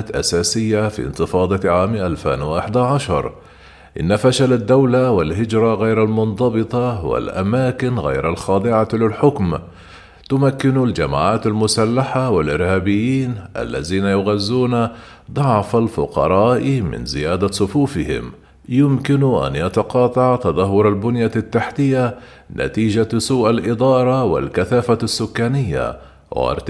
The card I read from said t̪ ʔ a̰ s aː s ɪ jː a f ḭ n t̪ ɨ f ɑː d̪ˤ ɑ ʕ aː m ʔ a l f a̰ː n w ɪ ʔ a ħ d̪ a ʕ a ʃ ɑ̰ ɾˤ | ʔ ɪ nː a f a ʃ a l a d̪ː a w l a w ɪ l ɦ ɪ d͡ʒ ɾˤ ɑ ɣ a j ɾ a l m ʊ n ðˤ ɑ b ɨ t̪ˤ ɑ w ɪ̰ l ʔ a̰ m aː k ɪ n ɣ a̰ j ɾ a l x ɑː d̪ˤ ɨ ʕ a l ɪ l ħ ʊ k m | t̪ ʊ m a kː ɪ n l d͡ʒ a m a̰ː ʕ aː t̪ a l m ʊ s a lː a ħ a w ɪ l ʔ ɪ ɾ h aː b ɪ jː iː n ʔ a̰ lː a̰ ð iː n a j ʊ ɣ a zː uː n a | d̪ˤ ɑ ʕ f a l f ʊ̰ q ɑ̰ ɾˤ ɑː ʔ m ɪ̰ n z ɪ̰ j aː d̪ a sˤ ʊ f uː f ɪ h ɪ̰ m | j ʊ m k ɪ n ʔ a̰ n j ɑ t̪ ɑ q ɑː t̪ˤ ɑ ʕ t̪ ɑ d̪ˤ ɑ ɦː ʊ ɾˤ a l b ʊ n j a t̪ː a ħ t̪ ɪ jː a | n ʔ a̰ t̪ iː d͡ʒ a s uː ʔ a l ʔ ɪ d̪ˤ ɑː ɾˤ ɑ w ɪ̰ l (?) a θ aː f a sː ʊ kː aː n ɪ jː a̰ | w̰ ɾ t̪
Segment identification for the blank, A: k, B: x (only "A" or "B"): A